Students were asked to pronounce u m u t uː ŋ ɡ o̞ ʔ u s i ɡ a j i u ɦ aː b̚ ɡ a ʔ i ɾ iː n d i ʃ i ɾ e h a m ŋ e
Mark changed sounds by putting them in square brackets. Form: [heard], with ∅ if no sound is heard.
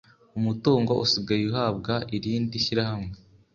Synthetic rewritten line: u m u t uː ŋ ɡ o̞ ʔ u s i ɡ a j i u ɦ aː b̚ ɡ a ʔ i ɾ iː n d i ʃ i ɾ [a] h a m ŋ e